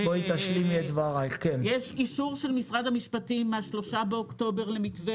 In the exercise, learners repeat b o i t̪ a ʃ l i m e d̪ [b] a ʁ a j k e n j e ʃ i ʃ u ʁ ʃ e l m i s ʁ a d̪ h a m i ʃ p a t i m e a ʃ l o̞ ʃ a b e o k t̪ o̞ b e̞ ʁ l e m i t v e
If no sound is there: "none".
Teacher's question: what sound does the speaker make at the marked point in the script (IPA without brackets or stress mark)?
v